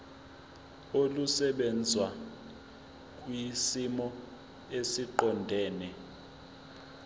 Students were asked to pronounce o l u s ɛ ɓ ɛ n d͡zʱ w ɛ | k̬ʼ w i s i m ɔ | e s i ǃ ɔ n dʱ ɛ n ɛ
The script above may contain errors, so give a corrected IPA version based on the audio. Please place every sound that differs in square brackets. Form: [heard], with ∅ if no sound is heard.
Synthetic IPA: o l u s ɛ ɓ ɛ n d͡zʱ w [a] | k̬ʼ w i s i m ɔ | e s i ǃ ɔ n dʱ [ɛː] n ɛ